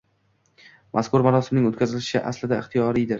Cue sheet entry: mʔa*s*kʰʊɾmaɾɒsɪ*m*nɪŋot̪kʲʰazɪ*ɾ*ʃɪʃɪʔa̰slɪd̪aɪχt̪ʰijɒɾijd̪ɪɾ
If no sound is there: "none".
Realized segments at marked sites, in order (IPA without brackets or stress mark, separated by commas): s, m, l